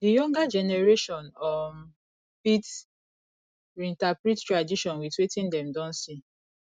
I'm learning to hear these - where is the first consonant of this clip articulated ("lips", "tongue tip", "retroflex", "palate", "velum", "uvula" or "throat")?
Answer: tongue tip